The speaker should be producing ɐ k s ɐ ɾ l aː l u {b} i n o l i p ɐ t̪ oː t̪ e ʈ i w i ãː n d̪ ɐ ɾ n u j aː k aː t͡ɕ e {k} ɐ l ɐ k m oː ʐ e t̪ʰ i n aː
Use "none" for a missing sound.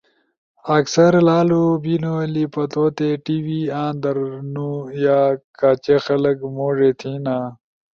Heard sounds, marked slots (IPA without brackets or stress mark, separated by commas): b, x